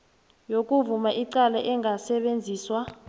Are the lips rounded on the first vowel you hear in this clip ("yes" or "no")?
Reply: yes